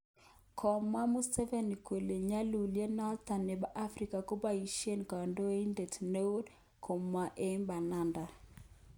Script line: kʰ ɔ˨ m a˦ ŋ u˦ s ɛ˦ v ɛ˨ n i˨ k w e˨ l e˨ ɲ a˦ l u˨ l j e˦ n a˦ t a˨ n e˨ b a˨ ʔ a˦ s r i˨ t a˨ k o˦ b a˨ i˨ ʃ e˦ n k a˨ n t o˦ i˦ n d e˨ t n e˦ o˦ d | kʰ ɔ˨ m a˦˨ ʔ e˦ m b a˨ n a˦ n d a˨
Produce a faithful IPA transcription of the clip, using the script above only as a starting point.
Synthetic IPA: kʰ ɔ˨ m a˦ m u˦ s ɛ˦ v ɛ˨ n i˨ k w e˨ l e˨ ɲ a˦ l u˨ l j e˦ n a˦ t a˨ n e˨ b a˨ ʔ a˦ f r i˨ k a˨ k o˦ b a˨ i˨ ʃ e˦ n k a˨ n d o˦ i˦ n d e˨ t n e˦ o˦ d | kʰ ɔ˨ m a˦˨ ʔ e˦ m b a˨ n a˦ n d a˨